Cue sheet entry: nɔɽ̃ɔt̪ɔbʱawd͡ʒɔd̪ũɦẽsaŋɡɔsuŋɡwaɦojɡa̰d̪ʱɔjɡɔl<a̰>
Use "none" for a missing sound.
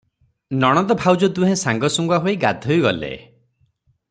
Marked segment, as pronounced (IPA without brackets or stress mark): ḛ